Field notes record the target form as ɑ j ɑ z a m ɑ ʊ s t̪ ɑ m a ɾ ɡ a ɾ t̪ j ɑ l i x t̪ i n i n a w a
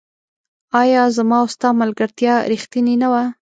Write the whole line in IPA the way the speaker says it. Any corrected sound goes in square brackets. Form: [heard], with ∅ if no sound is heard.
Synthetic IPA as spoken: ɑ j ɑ z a m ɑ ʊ s t̪ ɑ m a [l] ɡ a ɾ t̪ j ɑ [ɾ] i x t̪ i n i n a w a